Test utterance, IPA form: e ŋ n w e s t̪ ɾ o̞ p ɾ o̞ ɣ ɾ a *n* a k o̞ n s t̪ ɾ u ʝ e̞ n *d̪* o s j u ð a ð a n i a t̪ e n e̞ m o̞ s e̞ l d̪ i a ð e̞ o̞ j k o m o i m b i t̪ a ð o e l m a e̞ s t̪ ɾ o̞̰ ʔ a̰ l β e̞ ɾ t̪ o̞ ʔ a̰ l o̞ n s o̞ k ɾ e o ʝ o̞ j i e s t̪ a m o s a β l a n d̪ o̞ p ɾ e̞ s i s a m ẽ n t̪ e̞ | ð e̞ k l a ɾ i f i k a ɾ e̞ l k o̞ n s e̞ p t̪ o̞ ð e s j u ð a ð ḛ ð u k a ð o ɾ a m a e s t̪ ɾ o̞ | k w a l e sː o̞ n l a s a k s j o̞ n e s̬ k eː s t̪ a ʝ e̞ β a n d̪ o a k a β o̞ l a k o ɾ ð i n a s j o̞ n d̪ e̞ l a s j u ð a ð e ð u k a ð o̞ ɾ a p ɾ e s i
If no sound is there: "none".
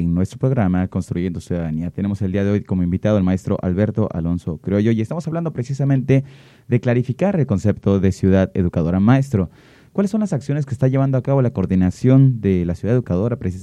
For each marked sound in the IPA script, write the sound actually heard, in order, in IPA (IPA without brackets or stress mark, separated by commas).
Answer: m, d̪